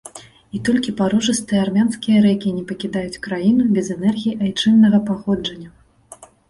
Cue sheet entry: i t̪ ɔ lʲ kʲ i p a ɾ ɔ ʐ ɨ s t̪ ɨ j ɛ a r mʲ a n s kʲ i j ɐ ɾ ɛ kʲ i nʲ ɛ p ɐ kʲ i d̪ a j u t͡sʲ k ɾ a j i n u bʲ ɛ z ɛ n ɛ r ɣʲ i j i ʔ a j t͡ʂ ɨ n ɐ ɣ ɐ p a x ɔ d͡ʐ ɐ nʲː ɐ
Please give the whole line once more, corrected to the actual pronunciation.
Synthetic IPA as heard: i t̪ ɔ lʲ kʲ i p a ɾ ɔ ʐ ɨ s t̪ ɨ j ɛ a r mʲ a n s kʲ i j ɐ ɾ ɛ kʲ i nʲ ɛ p ɐ kʲ i d̪ a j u t͡sʲ k ɾ a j i n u bʲ ɛ z ɛ n ɛ r ɣʲ i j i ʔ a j t͡ʂ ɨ nː ɐ ɣ ɐ p a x ɔ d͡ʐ ɐ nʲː ɐ